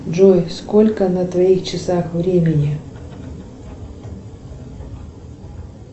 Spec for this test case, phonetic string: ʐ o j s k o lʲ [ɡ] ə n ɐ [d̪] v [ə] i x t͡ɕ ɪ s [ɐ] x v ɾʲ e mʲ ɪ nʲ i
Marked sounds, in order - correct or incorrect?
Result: incorrect: k, incorrect: t̪, incorrect: ɐ, incorrect: a

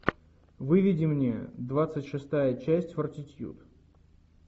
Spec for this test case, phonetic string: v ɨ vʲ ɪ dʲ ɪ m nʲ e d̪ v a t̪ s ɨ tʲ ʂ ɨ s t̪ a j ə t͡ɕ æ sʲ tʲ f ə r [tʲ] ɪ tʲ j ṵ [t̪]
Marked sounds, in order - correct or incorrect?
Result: correct, correct

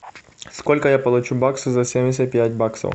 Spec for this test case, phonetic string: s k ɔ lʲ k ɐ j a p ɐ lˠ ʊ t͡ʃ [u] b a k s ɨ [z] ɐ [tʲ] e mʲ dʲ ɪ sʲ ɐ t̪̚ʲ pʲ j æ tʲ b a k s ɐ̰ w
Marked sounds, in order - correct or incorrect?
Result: correct, correct, incorrect: sʲ

